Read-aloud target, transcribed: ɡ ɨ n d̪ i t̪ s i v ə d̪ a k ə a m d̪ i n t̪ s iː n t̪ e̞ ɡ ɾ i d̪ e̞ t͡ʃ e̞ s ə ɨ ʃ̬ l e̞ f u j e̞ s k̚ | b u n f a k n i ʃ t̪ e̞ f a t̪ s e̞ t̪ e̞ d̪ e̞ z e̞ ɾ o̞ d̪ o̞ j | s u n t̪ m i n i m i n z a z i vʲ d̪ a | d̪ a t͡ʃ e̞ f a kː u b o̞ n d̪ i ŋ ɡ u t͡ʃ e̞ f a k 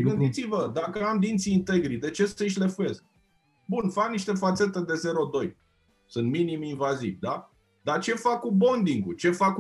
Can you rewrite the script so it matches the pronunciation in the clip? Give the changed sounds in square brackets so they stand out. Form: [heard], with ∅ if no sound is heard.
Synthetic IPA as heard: ɡ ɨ n d̪ i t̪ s i v ə d̪ a k ə a m d̪ i n t̪ s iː n t̪ e̞ ɡ ɾ i d̪ e̞ t͡ʃ e̞ s ə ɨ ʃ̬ l e̞ f u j e̞ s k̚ | b u n f a k n i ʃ t̪ e̞ f a t̪ s e̞ t̪ e̞ d̪ e̞ z e̞ ɾ o̞ d̪ o̞ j | s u n t̪ m i n i m i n [v] a z i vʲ d̪ a | d̪ a t͡ʃ e̞ f a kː u b o̞ n d̪ i ŋ ɡ u t͡ʃ e̞ f a k